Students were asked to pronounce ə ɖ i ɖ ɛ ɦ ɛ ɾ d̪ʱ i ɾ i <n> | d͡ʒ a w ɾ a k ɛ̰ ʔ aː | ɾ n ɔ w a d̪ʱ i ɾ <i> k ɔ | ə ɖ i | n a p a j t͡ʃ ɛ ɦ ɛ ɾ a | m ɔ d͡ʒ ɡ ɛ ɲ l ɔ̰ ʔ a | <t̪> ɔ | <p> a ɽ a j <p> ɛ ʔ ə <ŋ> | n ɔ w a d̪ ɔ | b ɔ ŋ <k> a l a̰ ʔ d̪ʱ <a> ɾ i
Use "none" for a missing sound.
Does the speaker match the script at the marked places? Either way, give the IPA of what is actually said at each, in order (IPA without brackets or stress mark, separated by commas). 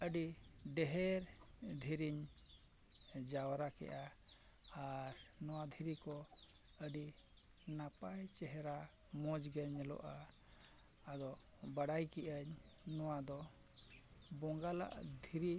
ɲ, i, d̪, b, k, ɲ, ɡ, i